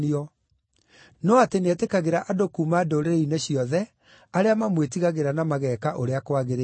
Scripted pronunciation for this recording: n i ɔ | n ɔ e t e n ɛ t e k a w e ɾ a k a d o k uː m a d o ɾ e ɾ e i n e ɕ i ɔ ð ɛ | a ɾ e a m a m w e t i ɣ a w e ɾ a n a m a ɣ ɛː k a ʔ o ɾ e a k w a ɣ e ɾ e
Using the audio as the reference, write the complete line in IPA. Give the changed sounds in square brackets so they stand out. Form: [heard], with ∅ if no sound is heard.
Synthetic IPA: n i ɔ | n ɔ [a] t e n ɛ t e k a [ɣ] e ɾ a [ʔ] a d o k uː m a d o ɾ e ɾ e i n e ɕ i ɔ ð ɛ | a ɾ e a m a m w e t i ɣ a [ɣ] e ɾ a n a m a ɣ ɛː k a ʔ o ɾ e a k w a ɣ e ɾ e